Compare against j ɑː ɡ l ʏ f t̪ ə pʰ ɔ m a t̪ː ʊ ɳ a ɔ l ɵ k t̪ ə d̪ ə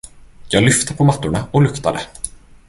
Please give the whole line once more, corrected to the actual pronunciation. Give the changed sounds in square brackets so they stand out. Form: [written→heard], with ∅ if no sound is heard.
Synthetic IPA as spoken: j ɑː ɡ l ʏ f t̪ ə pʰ ɔ m a t̪ː ʊ ɳ a ɔ l ɵ k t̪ [ə→a] d̪ ə